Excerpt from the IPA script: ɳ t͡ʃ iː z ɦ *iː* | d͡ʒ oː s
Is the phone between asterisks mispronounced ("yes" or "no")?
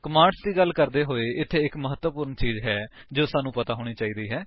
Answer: yes